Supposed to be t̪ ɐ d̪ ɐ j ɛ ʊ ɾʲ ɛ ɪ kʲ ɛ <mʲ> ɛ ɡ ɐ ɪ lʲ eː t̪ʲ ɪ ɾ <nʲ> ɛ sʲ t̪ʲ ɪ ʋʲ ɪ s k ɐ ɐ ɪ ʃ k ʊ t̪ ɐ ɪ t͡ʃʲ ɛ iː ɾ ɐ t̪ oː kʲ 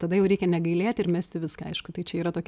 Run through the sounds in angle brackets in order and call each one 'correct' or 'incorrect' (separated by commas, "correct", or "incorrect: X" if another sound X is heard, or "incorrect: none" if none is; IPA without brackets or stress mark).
incorrect: nʲ, incorrect: mʲ